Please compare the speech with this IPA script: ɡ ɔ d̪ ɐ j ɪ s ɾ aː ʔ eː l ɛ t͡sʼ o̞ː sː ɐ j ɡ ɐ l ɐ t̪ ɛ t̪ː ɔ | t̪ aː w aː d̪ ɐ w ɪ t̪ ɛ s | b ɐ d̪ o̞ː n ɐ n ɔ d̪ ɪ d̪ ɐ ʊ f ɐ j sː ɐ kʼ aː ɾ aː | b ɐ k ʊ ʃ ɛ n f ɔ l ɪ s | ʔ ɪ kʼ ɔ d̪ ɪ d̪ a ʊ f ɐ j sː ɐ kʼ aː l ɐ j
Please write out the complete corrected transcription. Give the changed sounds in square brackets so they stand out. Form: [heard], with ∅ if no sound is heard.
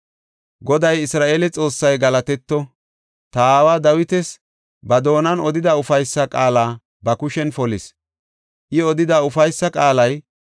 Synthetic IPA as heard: ɡ ɔ d̪ ɐ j ɪ s ɾ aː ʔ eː l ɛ t͡sʼ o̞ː sː ɐ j ɡ ɐ l ɐ t̪ ɛ t̪ː ɔ | t̪ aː w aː d̪ ɐ w ɪ t̪ ɛ s | b ɐ d̪ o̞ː n ɐ n ɔ d̪ ɪ d̪ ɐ ʊ f ɐ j sː ɐ kʼ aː [l] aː | b ɐ k ʊ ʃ ɛ n f ɔ l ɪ s | ʔ ɪ [∅] ɔ d̪ ɪ d̪ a ʊ f ɐ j sː ɐ kʼ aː l ɐ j